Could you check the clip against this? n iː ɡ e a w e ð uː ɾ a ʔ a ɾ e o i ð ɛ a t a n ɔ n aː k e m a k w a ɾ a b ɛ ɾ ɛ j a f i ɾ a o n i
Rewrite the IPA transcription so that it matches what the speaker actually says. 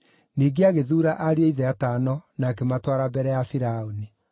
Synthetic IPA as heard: n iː ɡ e a ɣ e ð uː ɾ a ʔ a ɾ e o i ð ɛ a t a n ɔ n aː k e m a t w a ɾ a b ɛ ɾ ɛ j a f i ɾ a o n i